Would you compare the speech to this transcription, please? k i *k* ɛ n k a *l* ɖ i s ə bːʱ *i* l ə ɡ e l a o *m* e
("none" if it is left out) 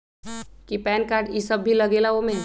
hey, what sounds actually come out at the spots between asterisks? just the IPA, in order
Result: p, ɾ, i, m

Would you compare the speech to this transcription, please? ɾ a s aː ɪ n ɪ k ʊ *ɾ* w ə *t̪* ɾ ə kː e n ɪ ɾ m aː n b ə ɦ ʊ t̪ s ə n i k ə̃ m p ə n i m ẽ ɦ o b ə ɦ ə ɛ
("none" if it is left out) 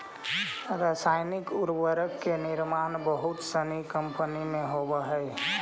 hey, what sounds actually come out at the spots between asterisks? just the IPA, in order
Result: ɾ, none

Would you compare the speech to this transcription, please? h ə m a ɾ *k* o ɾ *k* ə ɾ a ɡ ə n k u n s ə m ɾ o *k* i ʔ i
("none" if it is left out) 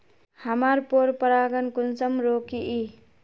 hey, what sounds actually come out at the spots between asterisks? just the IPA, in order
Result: p, p, k

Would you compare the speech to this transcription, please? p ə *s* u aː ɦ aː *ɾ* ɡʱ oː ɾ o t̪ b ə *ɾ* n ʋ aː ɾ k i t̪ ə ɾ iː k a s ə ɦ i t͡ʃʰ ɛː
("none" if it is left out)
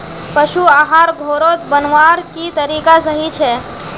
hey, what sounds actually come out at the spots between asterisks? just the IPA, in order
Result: ʃ, ɾ, none

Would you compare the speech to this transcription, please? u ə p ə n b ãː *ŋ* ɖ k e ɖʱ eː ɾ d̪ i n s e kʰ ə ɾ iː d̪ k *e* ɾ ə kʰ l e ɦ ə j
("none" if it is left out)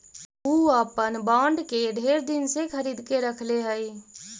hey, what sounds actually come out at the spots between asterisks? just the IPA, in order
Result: ɳ, e

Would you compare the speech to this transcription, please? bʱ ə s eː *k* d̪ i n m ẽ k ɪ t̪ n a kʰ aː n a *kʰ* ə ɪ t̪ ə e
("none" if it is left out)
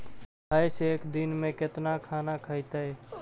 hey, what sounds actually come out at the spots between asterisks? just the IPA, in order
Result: k, kʰ

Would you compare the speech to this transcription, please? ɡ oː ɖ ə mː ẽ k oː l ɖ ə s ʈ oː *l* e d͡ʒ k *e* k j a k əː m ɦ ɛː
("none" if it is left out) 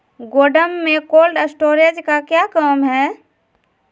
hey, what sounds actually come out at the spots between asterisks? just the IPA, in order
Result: ɾ, a

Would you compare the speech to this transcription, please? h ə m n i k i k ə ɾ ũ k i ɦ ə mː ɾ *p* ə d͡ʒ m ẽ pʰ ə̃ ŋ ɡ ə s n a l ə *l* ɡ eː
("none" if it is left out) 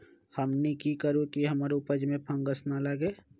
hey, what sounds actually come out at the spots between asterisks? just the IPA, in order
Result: p, none

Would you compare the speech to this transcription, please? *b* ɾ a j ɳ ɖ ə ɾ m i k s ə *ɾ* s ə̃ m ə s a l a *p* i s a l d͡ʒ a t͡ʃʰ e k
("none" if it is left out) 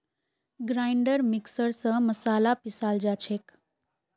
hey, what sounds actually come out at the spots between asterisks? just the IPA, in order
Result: ɡ, ɾ, p

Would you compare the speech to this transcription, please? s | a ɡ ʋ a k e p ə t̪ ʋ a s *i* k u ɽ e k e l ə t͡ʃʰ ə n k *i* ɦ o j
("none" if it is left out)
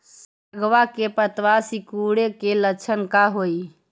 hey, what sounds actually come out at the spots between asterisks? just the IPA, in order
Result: i, a

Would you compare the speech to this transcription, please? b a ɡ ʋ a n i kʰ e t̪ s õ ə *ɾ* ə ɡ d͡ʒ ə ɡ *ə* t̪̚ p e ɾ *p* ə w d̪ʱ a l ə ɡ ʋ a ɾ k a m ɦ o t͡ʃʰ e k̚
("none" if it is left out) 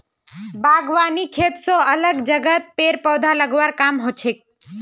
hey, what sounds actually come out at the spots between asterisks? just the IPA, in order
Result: l, ə, p

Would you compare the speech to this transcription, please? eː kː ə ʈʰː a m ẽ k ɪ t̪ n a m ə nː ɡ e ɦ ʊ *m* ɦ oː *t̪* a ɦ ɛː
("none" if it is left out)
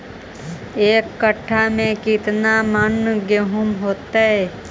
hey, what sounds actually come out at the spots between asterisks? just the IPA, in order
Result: m, t̪

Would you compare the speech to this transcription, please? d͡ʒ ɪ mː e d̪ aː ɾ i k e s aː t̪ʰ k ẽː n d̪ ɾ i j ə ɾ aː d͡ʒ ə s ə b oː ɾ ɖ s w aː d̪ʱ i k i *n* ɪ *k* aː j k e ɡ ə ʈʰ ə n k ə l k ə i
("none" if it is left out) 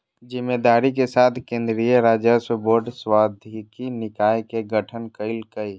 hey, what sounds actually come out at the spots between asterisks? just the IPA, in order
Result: n, k

